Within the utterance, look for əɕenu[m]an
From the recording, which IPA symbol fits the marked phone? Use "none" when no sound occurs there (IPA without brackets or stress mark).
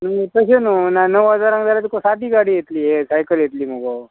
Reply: n